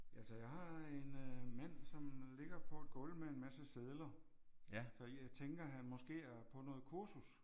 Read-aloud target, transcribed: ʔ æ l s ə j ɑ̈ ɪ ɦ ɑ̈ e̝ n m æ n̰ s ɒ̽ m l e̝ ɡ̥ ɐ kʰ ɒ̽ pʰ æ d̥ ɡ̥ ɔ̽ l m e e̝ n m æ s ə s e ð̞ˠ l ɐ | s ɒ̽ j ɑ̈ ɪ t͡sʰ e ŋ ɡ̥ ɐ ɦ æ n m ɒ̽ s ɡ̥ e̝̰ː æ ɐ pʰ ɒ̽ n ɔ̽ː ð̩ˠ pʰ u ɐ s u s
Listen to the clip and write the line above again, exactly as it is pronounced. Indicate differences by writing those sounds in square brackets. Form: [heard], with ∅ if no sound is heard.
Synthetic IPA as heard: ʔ æ l s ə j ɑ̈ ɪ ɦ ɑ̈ e̝ n m æ n̰ s ɒ̽ m l e̝ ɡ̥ ɐ [pʰ] ɒ̽ [∅] æ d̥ ɡ̥ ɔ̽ l m e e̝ n m æ s ə s e ð̞ˠ l ɐ | s ɒ̽ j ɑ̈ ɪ t͡sʰ e ŋ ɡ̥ ɐ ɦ æ n m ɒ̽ s ɡ̥ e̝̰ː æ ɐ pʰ ɒ̽ n ɔ̽ː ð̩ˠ [kʰ] u ɐ s u s

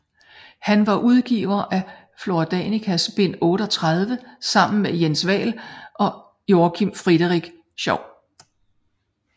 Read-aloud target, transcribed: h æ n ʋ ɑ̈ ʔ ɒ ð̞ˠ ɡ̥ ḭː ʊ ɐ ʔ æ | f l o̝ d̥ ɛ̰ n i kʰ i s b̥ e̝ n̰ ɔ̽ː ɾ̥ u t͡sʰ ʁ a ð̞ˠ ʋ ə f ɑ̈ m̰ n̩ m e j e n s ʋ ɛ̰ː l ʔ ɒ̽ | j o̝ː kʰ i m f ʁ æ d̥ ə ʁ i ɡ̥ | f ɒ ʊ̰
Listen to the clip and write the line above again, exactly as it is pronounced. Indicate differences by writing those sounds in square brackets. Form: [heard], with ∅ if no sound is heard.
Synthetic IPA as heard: h æ n ʋ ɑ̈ ʔ [u] ð̞ˠ ɡ̥ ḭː ʊ ɐ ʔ æ | f l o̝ d̥ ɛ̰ n i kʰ [æ] s b̥ e̝ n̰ ɔ̽ː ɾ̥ [ɒ] t͡sʰ ʁ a ð̞ˠ ʋ ə [s] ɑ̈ m̰ n̩ m e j e n s ʋ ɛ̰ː l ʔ ɒ̽ | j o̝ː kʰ i m f ʁ [i] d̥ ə ʁ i ɡ̥ | [ɕ] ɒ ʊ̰

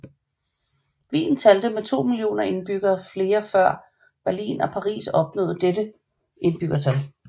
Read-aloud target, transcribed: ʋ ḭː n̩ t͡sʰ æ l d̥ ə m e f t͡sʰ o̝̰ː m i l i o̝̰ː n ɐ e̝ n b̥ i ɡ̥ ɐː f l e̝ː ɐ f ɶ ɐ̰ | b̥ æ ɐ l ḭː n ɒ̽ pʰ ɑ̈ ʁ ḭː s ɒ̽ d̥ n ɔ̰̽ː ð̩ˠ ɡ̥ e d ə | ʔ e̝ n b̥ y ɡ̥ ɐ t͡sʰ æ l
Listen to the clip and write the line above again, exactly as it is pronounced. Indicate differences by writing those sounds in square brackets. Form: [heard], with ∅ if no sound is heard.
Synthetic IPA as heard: ʋ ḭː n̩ t͡sʰ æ l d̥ ə m e [∅] t͡sʰ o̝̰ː m i l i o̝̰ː n ɐ e̝ n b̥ [y] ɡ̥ ɐː f l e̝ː ɐ f ɶ ɐ̰ | b̥ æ ɐ l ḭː n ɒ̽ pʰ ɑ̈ ʁ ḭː s ɒ̽ [b̥] n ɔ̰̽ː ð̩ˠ [d̥] e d ə | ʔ e̝ n b̥ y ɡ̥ ɐ t͡sʰ æ l

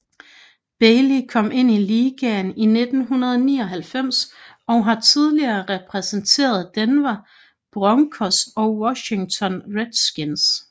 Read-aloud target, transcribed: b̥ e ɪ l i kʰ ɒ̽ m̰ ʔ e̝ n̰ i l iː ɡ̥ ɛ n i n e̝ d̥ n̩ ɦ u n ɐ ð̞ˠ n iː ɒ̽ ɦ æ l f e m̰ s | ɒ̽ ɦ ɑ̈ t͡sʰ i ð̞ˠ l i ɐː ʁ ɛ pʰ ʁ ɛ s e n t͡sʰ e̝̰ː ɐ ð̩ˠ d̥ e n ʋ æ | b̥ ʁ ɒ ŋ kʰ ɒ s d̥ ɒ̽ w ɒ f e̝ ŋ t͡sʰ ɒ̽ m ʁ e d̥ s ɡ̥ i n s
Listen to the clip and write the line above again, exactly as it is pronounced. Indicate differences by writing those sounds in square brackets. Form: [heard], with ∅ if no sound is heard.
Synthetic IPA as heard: b̥ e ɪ l i kʰ ɒ̽ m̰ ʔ e̝ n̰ i l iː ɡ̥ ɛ n i n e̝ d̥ n̩ ɦ u n ɐ ð̞ˠ n iː ɒ̽ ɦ æ l f e m̰ s | ɒ̽ ɦ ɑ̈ t͡sʰ i ð̞ˠ l i ɐː ʁ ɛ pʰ ʁ ɛ s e n t͡sʰ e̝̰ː ɐ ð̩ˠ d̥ e n ʋ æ | b̥ ʁ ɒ ŋ kʰ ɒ s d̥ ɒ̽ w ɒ [ɕ] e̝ ŋ t͡sʰ ɒ̽ [n] ʁ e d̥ s ɡ̥ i n s

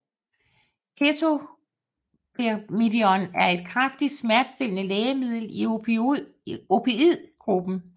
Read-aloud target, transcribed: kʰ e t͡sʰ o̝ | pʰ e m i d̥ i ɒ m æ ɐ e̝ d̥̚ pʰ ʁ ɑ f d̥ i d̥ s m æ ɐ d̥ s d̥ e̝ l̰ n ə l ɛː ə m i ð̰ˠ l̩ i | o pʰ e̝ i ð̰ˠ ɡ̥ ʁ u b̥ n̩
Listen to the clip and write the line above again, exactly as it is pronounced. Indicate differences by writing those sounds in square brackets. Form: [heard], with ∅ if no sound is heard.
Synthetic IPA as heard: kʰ e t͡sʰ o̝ | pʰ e m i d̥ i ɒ [n] æ ɐ e̝ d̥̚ [kʰ] ʁ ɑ f d̥ i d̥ s m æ ɐ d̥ s d̥ e̝ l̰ n ə l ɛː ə m i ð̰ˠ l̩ i | o pʰ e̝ i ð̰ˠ ɡ̥ ʁ u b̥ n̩

